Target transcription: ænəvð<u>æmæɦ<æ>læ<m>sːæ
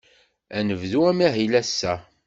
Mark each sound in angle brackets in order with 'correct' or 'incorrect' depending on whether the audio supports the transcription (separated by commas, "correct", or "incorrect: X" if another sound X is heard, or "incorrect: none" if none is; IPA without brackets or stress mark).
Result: correct, incorrect: i, incorrect: none